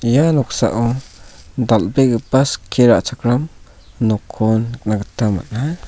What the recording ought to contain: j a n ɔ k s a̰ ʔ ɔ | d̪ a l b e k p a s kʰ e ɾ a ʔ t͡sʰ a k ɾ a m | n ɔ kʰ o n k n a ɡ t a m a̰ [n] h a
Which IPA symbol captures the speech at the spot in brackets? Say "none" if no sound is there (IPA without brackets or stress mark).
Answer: n